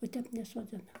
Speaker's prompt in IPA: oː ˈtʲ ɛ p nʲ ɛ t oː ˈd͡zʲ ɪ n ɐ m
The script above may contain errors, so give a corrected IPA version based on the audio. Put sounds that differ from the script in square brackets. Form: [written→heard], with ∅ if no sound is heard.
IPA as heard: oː ˈtʲ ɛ p nʲ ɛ [t→s] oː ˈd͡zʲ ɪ n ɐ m